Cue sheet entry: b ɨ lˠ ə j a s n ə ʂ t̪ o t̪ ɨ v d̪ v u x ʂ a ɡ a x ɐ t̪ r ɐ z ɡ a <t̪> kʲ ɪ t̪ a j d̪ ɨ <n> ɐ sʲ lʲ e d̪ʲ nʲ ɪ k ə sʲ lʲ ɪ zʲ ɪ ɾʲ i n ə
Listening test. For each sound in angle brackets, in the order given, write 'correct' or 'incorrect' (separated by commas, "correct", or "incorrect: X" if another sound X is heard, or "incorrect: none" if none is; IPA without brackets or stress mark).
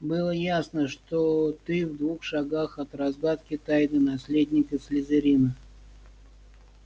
correct, correct